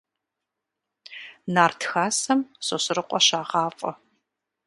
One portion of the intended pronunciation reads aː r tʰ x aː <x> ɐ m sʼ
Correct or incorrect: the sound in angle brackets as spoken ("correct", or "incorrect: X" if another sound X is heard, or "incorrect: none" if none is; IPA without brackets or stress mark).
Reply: incorrect: s